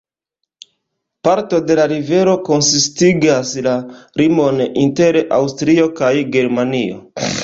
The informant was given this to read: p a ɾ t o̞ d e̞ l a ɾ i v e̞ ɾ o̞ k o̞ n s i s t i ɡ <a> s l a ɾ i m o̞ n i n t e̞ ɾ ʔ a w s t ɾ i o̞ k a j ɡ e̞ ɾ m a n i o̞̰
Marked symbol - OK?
yes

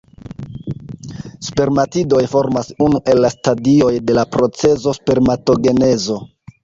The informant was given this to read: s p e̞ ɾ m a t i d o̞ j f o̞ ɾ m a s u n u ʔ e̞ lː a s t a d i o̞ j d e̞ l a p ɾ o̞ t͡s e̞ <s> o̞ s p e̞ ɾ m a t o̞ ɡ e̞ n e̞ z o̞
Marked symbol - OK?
no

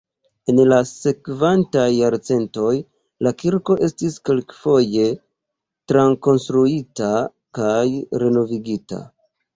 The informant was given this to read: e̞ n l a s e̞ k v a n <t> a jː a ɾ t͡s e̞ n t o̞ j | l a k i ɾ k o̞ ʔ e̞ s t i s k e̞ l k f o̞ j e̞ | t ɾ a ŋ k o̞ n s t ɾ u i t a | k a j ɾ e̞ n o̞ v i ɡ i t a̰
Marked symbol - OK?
yes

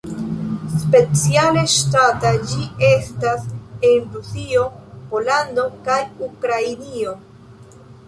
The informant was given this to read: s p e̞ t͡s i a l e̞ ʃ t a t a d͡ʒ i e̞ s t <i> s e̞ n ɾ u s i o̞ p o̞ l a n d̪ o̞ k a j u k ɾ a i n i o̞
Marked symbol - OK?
no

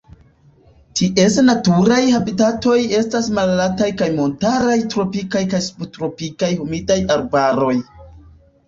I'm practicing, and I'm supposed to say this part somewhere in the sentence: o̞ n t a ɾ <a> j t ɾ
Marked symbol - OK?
yes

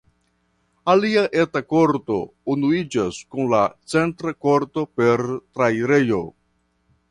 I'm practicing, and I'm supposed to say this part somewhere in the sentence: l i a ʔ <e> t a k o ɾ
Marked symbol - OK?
yes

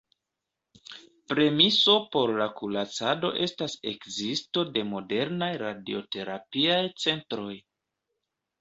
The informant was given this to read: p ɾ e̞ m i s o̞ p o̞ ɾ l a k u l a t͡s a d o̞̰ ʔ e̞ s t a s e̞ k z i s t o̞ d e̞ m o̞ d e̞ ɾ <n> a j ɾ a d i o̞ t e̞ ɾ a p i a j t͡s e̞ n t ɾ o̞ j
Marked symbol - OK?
yes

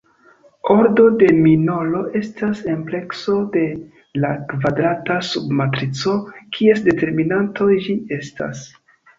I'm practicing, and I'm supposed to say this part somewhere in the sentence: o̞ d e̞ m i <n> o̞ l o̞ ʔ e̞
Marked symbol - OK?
yes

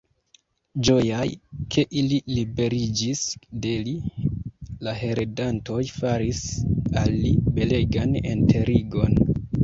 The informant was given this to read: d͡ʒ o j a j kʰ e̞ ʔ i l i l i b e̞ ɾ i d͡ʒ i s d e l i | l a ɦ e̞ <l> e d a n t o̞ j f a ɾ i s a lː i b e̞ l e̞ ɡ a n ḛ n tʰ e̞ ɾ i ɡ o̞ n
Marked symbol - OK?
no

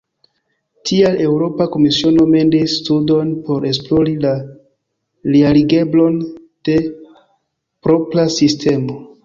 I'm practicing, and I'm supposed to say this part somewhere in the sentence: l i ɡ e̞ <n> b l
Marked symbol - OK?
no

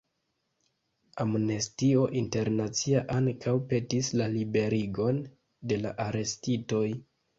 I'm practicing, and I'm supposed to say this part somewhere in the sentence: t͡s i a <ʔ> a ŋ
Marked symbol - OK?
yes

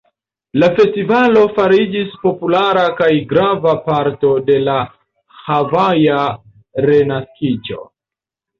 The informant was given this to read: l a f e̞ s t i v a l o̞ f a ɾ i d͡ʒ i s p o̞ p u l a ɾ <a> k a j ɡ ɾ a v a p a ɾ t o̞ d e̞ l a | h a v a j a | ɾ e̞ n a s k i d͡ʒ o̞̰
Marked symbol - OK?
yes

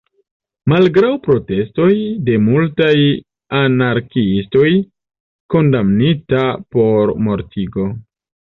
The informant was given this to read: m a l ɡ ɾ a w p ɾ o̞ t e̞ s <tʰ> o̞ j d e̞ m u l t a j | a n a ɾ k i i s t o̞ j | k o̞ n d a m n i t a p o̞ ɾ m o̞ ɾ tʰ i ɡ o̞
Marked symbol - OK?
no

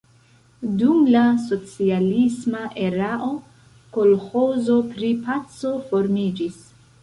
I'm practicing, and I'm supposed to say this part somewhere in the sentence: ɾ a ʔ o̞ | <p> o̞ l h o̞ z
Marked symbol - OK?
no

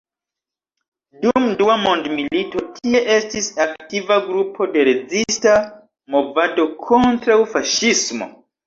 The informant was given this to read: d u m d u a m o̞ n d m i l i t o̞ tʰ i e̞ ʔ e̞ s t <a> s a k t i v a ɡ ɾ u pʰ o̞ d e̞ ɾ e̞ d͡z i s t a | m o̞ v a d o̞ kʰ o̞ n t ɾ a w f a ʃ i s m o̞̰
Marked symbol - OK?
no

